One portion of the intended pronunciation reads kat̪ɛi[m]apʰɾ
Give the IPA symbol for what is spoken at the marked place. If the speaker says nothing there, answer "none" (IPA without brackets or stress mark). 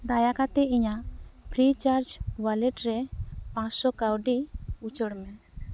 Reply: ɲ